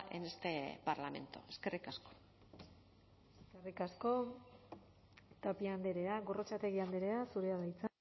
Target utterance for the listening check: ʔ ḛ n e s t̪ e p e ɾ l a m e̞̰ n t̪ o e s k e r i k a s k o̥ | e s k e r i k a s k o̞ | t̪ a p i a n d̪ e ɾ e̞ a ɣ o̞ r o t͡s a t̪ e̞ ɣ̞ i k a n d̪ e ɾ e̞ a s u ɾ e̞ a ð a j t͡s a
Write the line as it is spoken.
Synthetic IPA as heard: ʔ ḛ n e s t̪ e p a ɾ l a m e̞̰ n t̪ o e s k e r i k a s k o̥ | e s k e r i k a s k o̞ | t̪ a p i a n d̪ e ɾ e̞ a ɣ o̞ r o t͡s a t̪ e̞ ɣ̞ i a n d̪ e ɾ e̞ a s u ɾ e̞ a ð a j t͡s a